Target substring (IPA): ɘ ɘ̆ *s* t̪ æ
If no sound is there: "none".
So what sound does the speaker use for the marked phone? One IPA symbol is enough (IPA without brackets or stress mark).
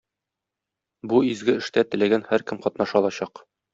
ʃ